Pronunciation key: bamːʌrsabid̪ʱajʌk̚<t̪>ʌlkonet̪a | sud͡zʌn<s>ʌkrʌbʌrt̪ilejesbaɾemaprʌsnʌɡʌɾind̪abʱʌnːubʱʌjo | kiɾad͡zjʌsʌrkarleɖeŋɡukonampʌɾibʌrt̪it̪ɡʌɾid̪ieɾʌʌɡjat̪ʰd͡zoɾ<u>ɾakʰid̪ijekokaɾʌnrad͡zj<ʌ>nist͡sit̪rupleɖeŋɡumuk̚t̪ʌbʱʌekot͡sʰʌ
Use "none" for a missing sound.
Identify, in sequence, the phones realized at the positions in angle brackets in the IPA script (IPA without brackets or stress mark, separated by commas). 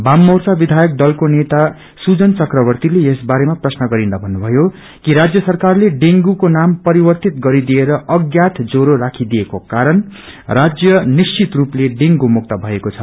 d̪, t͡s, o, ʌ